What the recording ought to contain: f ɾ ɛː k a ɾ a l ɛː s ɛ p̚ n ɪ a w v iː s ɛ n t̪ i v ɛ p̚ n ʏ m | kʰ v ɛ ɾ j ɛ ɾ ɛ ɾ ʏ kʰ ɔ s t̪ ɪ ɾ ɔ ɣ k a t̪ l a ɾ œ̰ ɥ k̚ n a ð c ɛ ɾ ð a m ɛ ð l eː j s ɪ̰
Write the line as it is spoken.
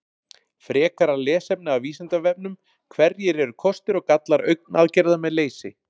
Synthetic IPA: f ɾ ɛː k a ɾ a l ɛː s ɛ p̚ n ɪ a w v iː s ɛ n t̪ a v ɛ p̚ n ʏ m | kʰ v ɛ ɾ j ɛ ɾ ɛ ɾ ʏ kʰ ɔ s t̪ ɪ ɾ ɔ ɣ k a t̪ l a ɾ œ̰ ɥ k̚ n a ð c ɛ ɾ ð a m ɛ ð l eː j s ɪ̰